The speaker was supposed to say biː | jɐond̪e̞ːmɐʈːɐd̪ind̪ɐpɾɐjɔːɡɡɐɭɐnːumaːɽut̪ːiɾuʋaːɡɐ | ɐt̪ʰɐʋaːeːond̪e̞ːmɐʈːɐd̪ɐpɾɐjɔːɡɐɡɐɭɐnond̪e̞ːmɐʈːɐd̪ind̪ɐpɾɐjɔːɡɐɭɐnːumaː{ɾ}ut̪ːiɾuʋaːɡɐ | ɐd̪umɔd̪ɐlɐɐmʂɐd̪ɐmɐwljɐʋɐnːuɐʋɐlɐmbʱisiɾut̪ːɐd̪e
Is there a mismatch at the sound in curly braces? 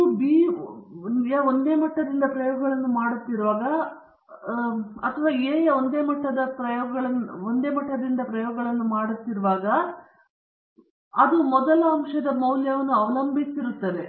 yes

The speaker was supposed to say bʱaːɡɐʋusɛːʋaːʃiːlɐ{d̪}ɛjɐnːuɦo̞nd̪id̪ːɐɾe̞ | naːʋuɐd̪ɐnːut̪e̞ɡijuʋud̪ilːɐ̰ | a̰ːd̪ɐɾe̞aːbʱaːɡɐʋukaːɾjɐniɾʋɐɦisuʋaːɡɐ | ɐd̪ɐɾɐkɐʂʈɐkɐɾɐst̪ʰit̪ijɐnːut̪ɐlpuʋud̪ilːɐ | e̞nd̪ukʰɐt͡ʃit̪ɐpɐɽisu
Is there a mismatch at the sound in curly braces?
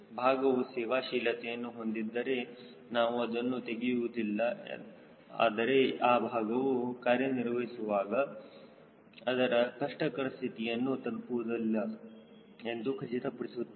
yes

